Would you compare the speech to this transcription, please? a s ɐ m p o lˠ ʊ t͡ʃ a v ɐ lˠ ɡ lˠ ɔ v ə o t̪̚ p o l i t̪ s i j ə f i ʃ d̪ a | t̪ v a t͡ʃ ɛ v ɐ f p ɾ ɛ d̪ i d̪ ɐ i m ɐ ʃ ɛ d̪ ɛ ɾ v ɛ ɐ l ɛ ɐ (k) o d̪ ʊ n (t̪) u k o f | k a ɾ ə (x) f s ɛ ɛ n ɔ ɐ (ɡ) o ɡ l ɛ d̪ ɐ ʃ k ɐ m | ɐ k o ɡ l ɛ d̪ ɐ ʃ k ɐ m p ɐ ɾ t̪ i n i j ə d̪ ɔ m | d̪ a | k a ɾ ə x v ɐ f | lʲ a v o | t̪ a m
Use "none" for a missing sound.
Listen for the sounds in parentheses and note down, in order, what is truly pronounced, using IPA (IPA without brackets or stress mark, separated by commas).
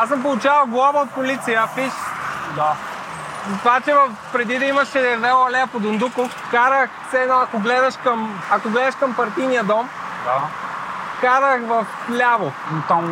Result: p, d̪, x, k